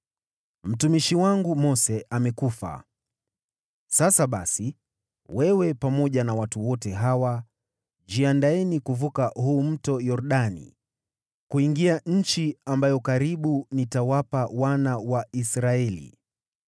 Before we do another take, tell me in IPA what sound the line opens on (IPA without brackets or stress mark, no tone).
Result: m̩